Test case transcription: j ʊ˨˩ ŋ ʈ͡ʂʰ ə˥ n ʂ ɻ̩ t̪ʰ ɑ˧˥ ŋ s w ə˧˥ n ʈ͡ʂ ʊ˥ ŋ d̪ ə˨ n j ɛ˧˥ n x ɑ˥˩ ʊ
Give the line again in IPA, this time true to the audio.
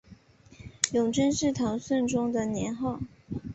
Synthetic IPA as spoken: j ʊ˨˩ ŋ ʈ͡ʂ ə˥ n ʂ ɻ̩ t̪ʰ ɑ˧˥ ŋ s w ə˥˩ n ʈ͡ʂ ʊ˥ ŋ d̪ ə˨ n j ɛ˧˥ n x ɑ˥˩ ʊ